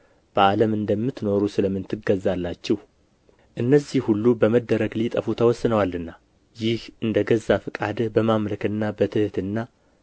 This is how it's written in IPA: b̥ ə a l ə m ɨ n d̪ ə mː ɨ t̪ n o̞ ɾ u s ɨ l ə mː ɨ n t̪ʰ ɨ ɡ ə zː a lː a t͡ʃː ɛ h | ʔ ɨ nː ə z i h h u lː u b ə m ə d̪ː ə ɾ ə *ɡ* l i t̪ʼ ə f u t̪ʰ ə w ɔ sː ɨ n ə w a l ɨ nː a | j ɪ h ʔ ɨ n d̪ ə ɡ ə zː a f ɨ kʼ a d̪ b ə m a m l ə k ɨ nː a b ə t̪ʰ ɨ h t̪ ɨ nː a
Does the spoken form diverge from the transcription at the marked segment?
no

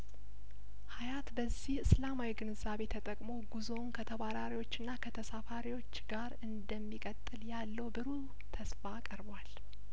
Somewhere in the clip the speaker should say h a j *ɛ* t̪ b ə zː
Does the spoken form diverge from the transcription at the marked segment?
yes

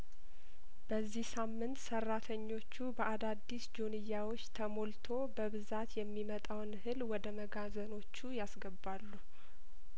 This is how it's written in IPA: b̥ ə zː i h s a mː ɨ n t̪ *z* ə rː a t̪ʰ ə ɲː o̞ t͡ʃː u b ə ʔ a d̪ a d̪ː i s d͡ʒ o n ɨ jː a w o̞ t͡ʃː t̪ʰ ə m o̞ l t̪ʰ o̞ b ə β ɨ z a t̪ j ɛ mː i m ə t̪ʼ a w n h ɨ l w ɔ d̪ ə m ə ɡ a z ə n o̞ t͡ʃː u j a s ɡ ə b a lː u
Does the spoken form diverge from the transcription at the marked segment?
yes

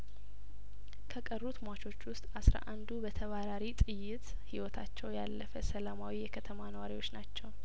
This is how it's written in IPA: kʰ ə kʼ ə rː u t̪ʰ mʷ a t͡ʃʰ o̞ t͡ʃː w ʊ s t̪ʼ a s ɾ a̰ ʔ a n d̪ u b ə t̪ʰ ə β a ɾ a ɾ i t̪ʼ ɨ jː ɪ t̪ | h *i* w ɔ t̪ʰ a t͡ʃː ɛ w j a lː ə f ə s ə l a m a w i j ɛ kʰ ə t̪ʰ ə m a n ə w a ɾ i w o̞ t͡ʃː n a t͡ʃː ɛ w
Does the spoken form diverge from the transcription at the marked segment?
no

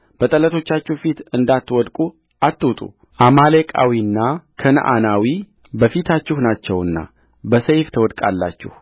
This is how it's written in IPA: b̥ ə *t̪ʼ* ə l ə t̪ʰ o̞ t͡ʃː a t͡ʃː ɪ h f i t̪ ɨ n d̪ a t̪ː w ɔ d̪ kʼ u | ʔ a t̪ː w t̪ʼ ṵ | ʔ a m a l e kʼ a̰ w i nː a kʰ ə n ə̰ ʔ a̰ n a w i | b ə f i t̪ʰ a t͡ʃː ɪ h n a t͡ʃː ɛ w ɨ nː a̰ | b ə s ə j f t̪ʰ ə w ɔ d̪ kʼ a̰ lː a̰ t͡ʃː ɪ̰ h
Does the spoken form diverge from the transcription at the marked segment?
no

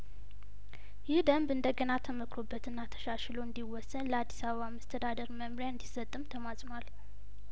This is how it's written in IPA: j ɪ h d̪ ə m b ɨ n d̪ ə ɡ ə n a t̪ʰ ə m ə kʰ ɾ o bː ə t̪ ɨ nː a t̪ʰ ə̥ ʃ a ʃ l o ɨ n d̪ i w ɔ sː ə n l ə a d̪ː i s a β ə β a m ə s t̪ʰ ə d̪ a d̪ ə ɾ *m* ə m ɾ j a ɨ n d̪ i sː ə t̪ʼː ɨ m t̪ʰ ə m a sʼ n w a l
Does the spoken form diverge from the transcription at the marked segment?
no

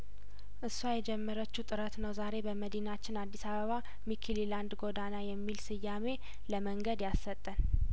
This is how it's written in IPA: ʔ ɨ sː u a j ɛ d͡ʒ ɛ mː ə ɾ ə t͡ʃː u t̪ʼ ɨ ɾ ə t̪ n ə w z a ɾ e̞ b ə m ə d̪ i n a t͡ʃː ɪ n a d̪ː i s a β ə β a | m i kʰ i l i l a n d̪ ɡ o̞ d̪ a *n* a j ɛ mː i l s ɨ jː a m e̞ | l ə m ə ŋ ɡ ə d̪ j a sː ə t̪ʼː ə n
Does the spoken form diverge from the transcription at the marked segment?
no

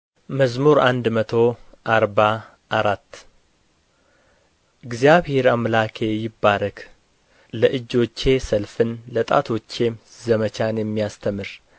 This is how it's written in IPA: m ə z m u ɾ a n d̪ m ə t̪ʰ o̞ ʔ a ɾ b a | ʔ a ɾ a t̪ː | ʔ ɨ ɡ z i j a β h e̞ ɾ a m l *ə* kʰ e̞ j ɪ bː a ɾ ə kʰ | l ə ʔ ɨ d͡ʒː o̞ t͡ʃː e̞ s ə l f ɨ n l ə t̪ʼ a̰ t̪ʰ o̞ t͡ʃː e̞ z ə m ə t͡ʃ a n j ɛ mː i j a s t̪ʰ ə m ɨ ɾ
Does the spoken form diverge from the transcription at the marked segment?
yes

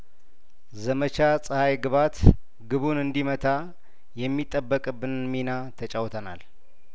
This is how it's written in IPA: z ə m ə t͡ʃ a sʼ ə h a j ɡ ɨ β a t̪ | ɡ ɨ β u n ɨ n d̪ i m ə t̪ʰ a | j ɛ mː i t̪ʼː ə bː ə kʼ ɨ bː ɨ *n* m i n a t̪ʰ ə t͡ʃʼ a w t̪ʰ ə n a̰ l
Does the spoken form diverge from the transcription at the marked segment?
no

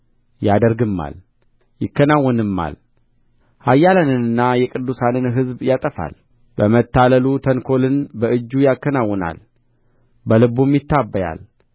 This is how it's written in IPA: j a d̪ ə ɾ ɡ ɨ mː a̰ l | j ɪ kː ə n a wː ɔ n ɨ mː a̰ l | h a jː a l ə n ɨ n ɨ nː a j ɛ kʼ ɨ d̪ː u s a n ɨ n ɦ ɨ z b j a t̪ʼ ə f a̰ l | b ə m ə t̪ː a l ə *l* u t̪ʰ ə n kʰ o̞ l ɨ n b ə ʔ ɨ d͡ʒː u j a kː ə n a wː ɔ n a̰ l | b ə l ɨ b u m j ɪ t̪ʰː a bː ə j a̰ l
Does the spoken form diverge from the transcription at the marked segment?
no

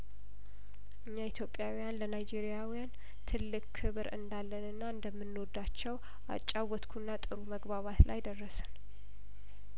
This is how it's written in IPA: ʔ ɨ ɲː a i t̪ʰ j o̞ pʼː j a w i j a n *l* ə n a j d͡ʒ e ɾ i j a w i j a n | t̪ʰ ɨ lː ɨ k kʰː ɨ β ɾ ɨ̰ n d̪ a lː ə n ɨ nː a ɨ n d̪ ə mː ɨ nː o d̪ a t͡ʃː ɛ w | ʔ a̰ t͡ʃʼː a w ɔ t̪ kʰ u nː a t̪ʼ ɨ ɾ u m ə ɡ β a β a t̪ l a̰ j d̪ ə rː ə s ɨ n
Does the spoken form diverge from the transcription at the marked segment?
no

